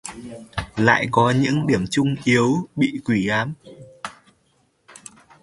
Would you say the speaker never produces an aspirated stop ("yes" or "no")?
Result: yes